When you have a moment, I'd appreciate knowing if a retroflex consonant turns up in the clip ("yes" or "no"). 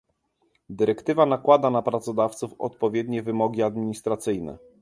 no